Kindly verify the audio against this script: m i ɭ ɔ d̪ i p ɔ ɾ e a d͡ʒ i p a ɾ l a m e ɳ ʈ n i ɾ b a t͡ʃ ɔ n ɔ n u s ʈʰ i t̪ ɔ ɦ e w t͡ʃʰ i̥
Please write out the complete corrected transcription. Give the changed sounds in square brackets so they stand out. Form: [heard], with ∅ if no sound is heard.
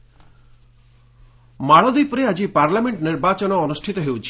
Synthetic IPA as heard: m [a] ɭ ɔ d̪ i p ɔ ɾ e a d͡ʒ i p a ɾ l a m e ɳ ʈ n i ɾ b a t͡ʃ ɔ n [ɔː] n u s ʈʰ i t̪ ɔ ɦ e w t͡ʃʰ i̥